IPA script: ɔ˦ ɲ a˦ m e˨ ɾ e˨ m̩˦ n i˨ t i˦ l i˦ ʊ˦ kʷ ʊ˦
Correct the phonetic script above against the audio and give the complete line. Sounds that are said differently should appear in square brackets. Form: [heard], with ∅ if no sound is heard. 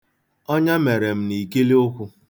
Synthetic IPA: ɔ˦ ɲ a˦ m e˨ ɾ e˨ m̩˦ n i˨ [k] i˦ l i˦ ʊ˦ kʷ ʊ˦